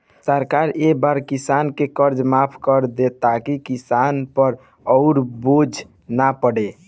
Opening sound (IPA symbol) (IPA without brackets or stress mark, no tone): s